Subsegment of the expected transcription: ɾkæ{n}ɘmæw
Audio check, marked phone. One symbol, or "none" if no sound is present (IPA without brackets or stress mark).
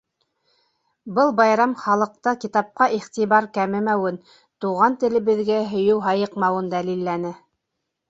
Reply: m